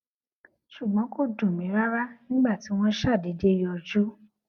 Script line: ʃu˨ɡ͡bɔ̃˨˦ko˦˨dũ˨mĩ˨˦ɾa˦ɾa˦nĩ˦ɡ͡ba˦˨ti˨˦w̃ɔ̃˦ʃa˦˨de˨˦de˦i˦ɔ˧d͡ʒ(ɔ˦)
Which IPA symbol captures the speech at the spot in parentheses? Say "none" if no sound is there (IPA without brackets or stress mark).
u˦